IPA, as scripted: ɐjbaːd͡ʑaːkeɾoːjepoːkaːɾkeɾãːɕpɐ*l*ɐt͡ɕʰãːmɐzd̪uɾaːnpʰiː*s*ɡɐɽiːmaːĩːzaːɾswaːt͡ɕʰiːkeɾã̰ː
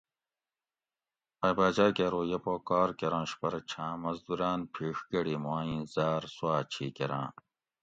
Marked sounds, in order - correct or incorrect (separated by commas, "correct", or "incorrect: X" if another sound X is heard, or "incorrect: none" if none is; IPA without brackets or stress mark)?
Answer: incorrect: ɾ, incorrect: ʂ